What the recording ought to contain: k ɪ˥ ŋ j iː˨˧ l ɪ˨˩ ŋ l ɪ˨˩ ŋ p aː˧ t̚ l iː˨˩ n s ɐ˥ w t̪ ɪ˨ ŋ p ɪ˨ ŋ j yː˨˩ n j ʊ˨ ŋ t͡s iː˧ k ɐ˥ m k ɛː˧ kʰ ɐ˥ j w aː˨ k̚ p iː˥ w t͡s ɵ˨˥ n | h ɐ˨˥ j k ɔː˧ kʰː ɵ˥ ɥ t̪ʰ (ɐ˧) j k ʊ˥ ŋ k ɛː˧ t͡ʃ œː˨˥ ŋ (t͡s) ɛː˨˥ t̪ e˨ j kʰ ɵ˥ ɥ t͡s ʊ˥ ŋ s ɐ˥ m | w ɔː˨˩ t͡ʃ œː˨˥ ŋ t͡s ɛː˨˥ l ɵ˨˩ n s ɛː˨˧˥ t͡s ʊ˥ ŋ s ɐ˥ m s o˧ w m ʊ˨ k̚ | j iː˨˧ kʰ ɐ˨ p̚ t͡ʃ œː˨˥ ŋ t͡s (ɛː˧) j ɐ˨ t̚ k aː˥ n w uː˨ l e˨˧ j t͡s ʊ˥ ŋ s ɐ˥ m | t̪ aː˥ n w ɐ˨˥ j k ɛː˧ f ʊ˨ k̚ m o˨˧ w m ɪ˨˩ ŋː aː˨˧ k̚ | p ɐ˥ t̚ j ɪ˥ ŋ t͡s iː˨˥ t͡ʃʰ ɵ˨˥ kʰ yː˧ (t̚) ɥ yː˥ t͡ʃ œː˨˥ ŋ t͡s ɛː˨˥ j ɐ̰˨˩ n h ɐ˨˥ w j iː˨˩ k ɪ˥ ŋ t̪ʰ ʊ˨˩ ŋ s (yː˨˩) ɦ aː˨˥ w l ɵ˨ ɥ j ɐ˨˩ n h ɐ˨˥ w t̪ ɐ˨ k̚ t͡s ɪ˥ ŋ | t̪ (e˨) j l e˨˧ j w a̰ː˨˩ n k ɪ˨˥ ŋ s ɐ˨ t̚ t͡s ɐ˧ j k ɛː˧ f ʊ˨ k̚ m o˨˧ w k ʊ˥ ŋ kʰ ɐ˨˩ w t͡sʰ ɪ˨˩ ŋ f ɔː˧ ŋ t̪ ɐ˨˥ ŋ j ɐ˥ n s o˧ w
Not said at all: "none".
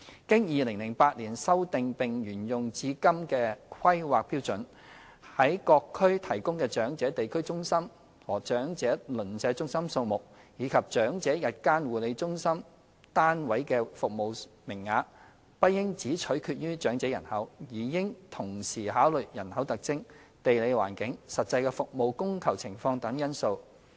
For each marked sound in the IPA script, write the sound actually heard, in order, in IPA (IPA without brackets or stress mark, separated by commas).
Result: ɐ˨˩, t͡s, ɛː˨˥, t̚, iː˨˩, e˨